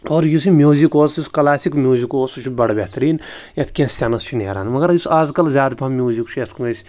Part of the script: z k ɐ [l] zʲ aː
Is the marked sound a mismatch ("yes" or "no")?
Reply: no